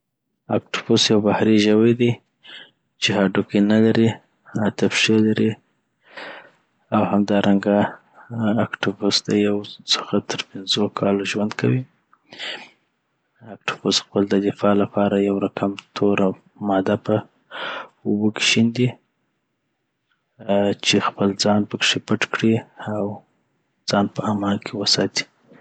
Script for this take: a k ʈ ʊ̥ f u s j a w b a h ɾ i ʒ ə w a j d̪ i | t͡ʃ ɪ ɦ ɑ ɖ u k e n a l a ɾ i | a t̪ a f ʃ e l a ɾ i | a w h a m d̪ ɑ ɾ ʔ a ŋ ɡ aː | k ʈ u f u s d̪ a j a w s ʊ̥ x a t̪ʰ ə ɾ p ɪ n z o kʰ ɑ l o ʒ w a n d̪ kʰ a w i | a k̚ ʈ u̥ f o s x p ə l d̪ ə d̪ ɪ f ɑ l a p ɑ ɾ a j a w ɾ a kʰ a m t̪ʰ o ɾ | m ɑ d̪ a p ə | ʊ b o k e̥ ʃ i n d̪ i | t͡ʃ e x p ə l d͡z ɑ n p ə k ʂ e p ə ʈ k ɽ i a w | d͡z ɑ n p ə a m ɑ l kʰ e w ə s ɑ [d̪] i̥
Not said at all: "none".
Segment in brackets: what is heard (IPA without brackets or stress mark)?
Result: t̪